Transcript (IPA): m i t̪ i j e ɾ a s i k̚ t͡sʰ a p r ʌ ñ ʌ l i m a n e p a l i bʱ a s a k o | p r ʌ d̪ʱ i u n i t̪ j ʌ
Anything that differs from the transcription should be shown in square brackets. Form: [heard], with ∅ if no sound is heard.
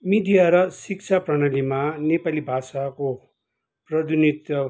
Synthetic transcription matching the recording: m i [d̪] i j [a] ɾ [ʌ] s i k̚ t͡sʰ a p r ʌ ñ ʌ l i m a n e p a l i bʱ a s a k o | p r ʌ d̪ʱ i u n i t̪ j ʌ